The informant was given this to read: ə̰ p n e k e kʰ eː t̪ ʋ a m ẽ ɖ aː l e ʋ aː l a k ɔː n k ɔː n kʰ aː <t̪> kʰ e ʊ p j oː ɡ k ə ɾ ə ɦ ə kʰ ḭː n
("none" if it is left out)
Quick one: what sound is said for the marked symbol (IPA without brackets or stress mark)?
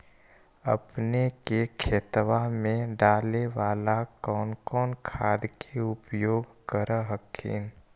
d̪